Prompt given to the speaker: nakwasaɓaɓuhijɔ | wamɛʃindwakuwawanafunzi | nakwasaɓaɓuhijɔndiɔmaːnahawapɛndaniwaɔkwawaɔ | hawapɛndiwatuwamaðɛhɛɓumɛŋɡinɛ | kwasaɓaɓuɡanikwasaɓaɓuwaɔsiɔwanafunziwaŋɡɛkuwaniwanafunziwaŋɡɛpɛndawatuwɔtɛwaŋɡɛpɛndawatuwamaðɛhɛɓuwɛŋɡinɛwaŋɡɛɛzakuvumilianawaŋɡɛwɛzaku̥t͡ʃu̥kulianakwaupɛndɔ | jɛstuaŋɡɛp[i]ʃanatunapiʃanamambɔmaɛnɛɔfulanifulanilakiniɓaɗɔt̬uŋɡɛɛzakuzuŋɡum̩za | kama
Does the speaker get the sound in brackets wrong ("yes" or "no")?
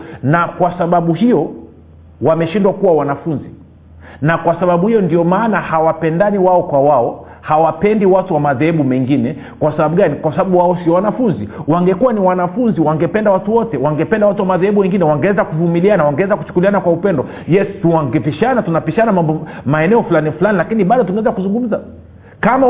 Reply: no